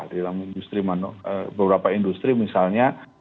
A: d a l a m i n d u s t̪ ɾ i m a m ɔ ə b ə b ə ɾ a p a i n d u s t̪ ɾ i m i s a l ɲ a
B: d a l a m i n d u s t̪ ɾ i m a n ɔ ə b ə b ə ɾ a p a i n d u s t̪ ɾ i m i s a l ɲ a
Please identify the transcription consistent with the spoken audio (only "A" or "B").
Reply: B